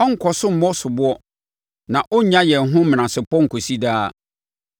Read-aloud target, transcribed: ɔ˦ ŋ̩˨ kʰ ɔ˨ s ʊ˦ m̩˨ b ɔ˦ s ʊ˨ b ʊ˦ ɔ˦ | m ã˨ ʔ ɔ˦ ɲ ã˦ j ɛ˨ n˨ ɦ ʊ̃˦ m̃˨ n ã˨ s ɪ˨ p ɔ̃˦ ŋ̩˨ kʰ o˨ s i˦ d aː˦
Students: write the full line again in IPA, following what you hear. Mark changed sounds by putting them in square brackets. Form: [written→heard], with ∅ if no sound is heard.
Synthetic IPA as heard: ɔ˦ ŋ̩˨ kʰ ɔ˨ s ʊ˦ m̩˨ [b→m] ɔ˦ s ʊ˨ b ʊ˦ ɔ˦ | [m→n] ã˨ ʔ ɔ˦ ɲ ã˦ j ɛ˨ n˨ ɦ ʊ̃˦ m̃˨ n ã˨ s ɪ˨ p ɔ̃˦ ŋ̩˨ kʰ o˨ s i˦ d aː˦